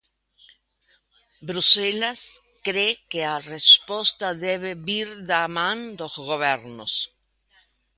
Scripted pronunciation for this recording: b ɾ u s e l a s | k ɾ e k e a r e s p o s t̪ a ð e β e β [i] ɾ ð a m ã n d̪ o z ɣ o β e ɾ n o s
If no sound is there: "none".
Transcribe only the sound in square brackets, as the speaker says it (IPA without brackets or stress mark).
i